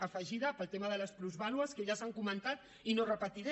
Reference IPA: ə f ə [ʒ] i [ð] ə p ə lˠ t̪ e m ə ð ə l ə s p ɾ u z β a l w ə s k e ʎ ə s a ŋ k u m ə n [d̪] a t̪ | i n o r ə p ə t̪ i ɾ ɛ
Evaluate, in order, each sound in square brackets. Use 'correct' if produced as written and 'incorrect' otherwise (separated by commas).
correct, correct, incorrect